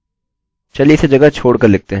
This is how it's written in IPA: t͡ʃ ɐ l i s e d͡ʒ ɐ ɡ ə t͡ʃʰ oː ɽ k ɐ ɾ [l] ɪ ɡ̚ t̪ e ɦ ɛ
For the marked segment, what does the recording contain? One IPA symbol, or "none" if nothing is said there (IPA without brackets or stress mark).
l